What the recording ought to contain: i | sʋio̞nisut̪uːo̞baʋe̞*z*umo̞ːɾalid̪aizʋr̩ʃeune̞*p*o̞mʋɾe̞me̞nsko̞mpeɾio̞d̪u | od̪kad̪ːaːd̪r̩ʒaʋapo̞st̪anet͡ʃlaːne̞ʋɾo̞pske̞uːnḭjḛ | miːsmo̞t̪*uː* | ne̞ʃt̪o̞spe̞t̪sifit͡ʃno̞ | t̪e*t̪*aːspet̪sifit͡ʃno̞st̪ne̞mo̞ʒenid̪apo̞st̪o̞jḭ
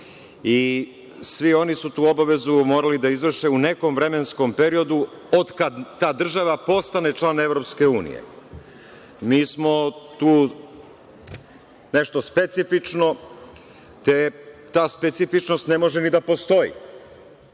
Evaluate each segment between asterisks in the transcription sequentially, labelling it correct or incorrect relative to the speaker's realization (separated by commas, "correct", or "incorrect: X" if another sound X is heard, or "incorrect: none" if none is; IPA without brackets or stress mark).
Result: correct, incorrect: k, correct, correct